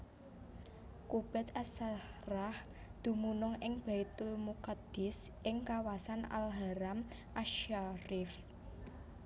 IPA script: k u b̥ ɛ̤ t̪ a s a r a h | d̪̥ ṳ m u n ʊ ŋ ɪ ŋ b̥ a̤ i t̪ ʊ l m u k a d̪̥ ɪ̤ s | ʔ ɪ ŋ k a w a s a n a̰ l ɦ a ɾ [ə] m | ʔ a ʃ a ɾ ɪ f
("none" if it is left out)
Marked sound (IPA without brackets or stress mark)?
a